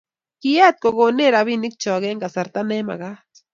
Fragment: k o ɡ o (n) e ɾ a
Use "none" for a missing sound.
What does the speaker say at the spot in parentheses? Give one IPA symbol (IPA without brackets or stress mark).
n